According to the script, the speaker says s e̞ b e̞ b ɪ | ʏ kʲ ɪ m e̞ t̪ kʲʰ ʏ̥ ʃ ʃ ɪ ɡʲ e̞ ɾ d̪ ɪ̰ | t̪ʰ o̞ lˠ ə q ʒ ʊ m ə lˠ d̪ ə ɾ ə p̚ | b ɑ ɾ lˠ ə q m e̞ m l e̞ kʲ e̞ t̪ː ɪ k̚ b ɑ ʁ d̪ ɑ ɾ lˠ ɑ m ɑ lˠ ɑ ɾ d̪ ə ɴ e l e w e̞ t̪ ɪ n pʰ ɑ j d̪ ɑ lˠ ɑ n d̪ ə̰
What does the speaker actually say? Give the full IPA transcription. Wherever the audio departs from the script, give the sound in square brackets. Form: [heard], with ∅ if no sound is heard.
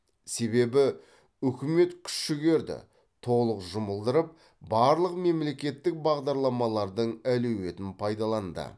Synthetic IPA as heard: s e̞ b e̞ b ɪ | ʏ kʲ ɪ m e̞ t̪ kʲʰ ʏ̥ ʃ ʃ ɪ ɡʲ e̞ ɾ d̪ ɪ̰ | t̪ʰ o̞ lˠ ə q ʒ ʊ m ə lˠ d̪ ə ɾ ə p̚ | b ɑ ɾ lˠ ə q m e̞ m l e̞ kʲ e̞ t̪ː ɪ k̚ b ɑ ʁ d̪ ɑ ɾ lˠ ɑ m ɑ lˠ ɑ ɾ d̪ ə ɴ [æ] l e w e̞ t̪ ɪ n pʰ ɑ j d̪ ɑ lˠ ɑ n d̪ ə̰